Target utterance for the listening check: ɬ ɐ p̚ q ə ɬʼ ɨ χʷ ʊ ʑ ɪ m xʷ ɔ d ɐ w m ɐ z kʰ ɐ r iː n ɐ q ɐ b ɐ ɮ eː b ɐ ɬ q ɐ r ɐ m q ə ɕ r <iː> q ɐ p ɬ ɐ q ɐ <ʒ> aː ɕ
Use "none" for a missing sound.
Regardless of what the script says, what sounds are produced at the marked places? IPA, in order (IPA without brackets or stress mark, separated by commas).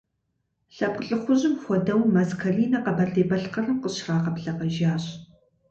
aː, ʒ